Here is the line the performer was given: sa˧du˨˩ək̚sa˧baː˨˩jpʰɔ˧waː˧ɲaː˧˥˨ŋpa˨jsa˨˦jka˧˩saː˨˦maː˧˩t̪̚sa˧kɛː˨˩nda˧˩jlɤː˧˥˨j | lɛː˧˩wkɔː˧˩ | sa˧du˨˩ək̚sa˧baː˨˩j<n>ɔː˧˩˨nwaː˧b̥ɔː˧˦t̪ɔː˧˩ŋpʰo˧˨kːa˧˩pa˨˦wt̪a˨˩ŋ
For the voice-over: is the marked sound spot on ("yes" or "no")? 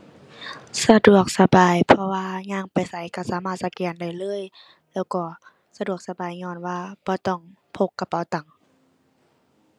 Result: no